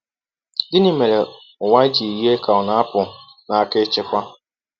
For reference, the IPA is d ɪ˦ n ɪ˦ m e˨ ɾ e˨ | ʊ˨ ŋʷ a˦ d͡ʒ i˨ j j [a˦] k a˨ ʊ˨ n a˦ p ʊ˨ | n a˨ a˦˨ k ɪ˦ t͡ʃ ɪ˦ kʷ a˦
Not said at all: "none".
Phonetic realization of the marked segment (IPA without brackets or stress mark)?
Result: e˦